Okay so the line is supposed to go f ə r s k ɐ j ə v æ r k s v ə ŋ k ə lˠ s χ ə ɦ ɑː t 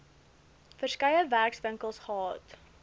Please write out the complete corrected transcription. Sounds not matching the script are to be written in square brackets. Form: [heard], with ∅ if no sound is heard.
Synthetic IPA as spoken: f ə r s k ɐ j ə v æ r k s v ə ŋ k ə lˠ s χ ə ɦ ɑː t